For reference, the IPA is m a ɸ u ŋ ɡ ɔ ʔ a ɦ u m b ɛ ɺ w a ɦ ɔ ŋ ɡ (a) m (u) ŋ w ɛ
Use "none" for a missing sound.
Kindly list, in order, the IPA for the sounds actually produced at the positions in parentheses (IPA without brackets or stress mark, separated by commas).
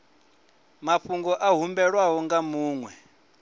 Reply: a, uː